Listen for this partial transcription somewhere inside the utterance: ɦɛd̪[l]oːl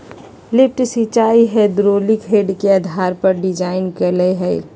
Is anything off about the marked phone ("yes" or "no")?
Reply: yes